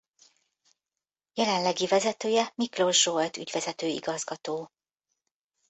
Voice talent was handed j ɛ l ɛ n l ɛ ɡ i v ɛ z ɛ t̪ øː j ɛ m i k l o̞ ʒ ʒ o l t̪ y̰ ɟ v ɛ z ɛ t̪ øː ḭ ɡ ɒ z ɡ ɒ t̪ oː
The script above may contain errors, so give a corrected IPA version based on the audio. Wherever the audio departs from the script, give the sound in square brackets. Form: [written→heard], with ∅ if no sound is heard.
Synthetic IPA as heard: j ɛ l ɛ n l ɛ ɡ i v ɛ z ɛ t̪ øː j ɛ m i k l o̞ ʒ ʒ o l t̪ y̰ ɟ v ɛ z ɛ t̪ øː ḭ ɡ ɒ z ɡ ɒ t̪ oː